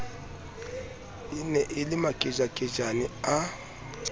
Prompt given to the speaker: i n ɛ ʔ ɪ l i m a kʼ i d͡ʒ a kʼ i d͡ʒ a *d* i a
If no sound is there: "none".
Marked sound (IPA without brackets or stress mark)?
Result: n